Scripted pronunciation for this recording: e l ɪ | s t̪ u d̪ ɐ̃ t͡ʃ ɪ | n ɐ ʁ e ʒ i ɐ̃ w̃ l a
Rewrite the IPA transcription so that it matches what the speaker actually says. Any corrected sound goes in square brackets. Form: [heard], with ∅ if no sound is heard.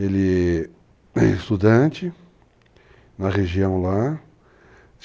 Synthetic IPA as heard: e l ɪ | s t̪ u d̪ ɐ̃ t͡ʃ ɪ | n ɐ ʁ e ʒ i ɐ̃ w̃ l a